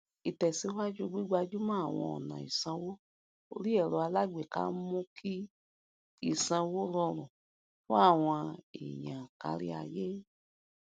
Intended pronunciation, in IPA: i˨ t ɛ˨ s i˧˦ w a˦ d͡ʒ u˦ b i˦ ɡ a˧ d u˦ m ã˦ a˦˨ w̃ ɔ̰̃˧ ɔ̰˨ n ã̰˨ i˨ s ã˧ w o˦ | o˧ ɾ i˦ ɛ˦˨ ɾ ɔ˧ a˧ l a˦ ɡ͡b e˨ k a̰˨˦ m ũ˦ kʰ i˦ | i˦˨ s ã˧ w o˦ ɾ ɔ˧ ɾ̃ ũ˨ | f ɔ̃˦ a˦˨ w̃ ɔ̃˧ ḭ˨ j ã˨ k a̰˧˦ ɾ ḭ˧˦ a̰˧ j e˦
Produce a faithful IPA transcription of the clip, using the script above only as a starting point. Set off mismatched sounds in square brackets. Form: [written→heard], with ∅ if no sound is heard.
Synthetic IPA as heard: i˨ t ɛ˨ s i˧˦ w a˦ d͡ʒ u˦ [b→ɡ͡b] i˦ [ɡ→ɡ͡b] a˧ [d→d͡ʒ] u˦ m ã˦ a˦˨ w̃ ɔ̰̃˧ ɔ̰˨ n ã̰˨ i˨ s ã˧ w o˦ | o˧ ɾ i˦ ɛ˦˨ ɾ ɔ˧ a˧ l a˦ ɡ͡b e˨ k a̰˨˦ m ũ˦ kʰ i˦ | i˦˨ s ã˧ w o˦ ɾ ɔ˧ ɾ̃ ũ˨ | f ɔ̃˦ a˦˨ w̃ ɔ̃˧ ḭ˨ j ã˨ k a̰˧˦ ɾ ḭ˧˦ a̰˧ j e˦